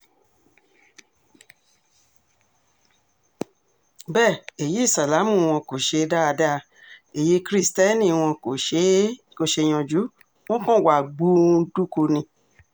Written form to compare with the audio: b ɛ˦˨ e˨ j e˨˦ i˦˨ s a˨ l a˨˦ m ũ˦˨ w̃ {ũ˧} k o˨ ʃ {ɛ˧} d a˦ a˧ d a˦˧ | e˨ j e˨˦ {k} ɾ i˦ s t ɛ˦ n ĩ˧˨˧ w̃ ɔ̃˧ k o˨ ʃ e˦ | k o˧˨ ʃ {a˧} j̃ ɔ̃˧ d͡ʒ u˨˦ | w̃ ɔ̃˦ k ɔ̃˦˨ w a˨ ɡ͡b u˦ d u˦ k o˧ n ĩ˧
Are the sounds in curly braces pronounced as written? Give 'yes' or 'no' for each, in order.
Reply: no, no, yes, no

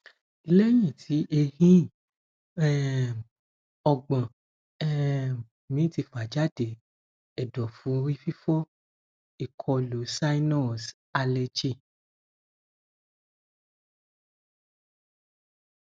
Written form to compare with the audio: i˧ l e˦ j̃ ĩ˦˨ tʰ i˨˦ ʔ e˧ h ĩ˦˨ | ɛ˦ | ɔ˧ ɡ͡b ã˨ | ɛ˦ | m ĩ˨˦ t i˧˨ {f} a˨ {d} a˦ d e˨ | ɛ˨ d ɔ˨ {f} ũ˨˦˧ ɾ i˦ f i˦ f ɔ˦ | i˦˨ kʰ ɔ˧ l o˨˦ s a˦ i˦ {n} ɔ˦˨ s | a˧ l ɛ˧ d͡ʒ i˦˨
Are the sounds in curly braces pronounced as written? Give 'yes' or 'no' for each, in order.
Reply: yes, no, yes, yes

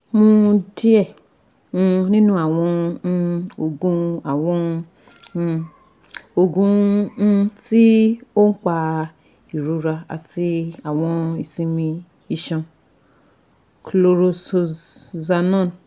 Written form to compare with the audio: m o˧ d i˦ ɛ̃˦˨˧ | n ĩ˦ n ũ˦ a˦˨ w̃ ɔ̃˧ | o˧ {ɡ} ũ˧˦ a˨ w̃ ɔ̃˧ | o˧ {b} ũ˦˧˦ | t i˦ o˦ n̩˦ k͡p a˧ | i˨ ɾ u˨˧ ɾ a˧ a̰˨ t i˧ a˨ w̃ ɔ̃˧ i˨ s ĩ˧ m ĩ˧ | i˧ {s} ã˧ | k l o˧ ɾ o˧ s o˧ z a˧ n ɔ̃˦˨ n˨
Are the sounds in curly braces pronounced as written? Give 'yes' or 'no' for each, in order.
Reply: yes, no, no

